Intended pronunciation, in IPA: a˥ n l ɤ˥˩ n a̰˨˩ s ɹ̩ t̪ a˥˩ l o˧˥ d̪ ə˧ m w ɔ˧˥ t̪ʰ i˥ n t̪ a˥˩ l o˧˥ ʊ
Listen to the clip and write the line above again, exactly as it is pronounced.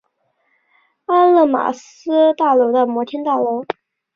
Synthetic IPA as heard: a˥ n l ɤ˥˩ m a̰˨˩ s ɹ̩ t̪ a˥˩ l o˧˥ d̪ ə˧ m w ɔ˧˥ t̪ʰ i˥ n t̪ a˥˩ l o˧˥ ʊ